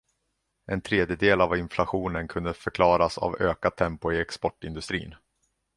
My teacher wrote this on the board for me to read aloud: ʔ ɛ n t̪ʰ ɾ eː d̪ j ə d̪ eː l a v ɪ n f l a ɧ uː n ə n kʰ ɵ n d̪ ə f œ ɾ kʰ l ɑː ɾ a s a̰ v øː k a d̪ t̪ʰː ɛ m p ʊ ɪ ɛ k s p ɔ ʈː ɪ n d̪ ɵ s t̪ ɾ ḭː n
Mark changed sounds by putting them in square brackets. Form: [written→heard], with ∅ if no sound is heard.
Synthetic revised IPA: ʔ ɛ n t̪ʰ ɾ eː d̪ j ə d̪ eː l a v ɪ n f l a ɧ uː n ə n kʰ ɵ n d̪ ə f œ ɾ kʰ l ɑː ɾ a s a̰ v øː k a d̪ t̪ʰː ɛ m p ʊ ɪ ɛ k s p ɔ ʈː ɪ n d̪ ɵ s t̪ ɾ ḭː n